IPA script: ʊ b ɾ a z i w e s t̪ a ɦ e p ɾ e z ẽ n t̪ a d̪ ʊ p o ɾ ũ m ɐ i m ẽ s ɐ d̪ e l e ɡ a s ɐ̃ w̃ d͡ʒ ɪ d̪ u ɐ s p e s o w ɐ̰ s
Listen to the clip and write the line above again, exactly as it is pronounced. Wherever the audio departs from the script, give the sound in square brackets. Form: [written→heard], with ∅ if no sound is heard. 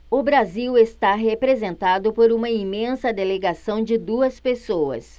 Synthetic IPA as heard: ʊ b ɾ a z i w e s t̪ a ɦ e p ɾ e z ẽ n t̪ a d̪ ʊ p o ɾ ũ m ɐ i m ẽ s ɐ d̪ e l e ɡ a s ɐ̃ w̃ d͡ʒ ɪ d̪ u ɐ s p e s o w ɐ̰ s

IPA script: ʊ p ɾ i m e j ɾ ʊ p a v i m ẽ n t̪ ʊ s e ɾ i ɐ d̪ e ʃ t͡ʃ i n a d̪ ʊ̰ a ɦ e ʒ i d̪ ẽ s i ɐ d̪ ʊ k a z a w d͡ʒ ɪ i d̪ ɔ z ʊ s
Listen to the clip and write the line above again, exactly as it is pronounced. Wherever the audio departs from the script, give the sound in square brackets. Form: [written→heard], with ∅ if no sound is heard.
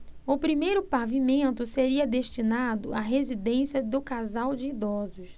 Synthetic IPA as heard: ʊ p ɾ i m e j ɾ ʊ p a v i m ẽ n t̪ ʊ s e ɾ i ɐ d̪ e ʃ t͡ʃ i n a d̪ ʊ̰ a ɦ e [ʒ→z] i d̪ ẽ s i ɐ d̪ ʊ k a z a w d͡ʒ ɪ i d̪ ɔ z ʊ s

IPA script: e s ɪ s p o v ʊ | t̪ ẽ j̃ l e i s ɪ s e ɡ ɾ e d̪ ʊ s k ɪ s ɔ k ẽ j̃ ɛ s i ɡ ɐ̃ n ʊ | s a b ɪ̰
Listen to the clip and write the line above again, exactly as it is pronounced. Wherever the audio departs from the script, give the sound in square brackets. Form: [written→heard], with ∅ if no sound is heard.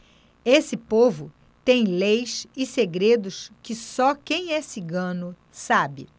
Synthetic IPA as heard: e s ɪ [s→∅] p o v ʊ | t̪ ẽ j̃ l e [i→j] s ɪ s e ɡ ɾ e d̪ ʊ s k ɪ s ɔ k ẽ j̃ ɛ s i ɡ ɐ̃ n ʊ | s a b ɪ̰

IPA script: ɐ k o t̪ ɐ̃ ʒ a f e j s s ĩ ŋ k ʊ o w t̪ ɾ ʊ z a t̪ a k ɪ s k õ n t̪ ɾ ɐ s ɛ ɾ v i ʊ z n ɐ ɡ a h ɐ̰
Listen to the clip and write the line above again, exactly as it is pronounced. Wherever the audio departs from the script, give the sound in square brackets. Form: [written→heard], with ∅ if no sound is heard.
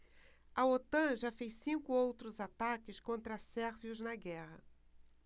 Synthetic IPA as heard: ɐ [k→∅] o t̪ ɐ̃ ʒ a f e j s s ĩ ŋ k ʊ o w t̪ ɾ ʊ z a t̪ a k ɪ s k õ n t̪ ɾ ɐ s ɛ ɾ v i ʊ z n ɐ ɡ [a→ɛ] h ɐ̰

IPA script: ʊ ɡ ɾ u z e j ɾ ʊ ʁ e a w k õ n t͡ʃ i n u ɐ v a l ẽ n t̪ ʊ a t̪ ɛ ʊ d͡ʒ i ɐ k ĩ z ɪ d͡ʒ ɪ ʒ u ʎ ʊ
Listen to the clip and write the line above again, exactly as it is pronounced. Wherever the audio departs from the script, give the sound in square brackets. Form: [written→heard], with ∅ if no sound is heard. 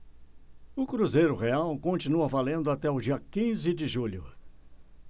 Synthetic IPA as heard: ʊ [ɡ→k] ɾ u z e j ɾ ʊ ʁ e a w k õ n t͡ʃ i n u ɐ v a l ẽ n [t̪→d̪] ʊ a t̪ ɛ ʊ d͡ʒ i ɐ k ĩ z ɪ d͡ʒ ɪ ʒ u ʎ ʊ

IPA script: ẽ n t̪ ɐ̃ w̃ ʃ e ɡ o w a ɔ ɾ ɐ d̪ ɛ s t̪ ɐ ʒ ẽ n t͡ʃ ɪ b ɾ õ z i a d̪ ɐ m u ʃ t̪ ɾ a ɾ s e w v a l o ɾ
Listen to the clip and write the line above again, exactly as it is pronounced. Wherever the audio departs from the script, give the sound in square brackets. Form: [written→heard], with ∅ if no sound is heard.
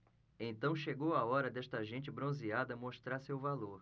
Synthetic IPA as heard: ẽ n t̪ ɐ̃ w̃ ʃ e ɡ o w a ɔ ɾ ɐ d̪ ɛ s t̪ ɐ ʒ ẽ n t͡ʃ ɪ b ɾ õ z i a d̪ ɐ m [u→o] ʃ t̪ ɾ a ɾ s e w v a l o ɾ

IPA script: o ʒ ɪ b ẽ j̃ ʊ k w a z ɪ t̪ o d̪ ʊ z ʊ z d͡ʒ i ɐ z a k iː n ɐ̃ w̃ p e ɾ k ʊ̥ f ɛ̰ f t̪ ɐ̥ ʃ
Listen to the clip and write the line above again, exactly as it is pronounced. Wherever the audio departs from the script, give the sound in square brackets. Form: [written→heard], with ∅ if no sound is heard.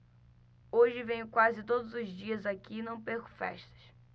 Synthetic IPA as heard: o ʒ ɪ [b→v] ẽ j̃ ʊ k w a z ɪ t̪ o d̪ ʊ z ʊ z d͡ʒ i ɐ z a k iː n ɐ̃ w̃ p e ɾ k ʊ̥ f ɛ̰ [f→ʃ] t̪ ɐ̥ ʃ

